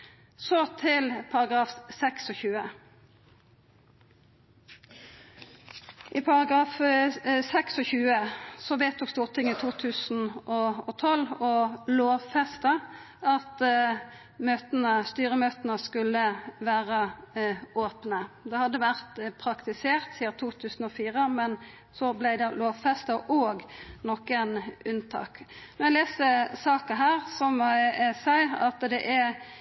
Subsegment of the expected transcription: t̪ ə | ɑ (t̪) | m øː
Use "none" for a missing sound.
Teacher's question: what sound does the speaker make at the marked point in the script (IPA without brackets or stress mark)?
t̪